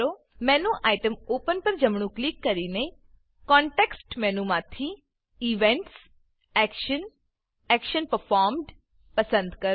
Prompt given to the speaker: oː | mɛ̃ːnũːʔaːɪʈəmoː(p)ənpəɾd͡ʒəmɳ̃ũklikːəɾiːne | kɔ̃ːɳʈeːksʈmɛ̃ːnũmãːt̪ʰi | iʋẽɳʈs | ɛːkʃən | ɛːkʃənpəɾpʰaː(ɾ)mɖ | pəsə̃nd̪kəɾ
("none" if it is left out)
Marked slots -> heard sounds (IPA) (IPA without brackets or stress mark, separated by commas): p, ɾ